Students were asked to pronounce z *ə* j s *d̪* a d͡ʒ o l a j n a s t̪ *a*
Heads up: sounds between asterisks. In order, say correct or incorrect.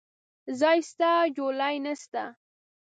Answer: incorrect, incorrect, correct

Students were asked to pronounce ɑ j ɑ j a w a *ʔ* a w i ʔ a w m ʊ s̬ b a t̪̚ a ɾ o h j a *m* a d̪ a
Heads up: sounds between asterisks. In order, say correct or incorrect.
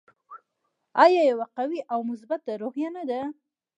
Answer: incorrect, incorrect

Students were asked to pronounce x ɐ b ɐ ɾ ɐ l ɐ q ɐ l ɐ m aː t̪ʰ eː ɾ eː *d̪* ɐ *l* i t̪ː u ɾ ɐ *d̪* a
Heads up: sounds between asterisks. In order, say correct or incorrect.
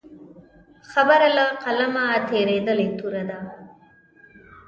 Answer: correct, correct, correct

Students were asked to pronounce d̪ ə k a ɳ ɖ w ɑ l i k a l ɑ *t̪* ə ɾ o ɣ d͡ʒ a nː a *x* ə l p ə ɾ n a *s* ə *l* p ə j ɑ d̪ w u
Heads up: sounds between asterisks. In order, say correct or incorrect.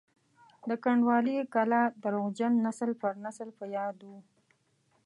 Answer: incorrect, incorrect, correct, correct

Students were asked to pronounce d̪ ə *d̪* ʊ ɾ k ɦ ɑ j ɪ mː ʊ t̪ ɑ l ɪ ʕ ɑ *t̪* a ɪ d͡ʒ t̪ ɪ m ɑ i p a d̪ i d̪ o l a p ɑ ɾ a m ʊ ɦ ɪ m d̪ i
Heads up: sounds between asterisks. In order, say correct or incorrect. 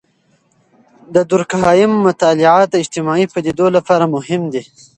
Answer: correct, correct

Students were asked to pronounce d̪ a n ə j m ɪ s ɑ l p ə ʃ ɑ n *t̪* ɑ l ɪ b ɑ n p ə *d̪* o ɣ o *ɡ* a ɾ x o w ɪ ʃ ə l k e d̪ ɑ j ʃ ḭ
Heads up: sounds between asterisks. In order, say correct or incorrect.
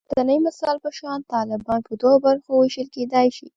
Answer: correct, correct, incorrect

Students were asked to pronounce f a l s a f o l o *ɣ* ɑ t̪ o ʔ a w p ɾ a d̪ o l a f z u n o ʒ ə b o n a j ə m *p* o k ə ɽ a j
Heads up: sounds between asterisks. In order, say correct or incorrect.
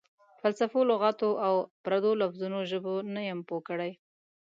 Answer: correct, correct

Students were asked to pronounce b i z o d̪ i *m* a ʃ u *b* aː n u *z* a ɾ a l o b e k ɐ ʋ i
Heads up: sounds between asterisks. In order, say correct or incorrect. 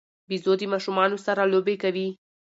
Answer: correct, incorrect, incorrect

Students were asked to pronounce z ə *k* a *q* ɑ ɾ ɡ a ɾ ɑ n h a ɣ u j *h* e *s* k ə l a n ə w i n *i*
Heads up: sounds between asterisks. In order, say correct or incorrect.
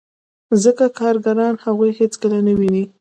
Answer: correct, incorrect, correct, incorrect, correct

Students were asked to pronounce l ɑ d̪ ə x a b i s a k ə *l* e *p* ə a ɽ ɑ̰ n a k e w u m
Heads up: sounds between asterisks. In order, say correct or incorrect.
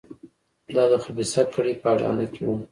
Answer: incorrect, correct

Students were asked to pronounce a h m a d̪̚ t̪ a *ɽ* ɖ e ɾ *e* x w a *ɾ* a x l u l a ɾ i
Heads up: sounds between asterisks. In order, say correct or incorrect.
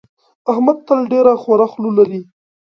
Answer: incorrect, incorrect, correct

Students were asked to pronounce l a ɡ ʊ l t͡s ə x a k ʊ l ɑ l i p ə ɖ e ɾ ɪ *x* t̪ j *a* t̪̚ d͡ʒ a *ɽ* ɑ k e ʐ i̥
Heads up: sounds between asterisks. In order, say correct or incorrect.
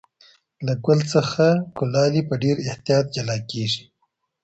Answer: incorrect, incorrect, incorrect

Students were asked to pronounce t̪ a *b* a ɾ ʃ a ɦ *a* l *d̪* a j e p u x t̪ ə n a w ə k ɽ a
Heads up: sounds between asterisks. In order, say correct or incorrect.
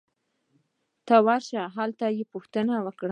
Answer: incorrect, correct, incorrect

